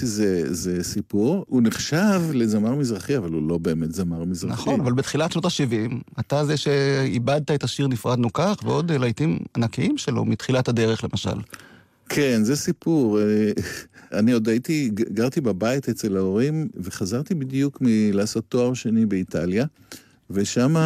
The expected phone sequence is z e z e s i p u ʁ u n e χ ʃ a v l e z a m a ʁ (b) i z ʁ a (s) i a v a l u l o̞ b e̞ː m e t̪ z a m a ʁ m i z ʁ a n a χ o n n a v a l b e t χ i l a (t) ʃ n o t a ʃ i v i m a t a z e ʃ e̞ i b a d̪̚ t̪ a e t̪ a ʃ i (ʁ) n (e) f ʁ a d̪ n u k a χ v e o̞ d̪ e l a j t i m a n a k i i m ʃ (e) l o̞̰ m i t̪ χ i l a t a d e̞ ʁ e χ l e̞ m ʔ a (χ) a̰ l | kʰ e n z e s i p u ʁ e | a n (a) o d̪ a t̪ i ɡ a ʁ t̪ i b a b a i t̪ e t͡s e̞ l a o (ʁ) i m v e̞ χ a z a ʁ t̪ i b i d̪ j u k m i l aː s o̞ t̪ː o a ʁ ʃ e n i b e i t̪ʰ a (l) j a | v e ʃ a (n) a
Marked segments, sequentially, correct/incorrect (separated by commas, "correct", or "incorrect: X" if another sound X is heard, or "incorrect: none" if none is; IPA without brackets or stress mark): incorrect: m, incorrect: χ, correct, correct, incorrect: i, correct, incorrect: ʃ, incorrect: i, correct, correct, incorrect: m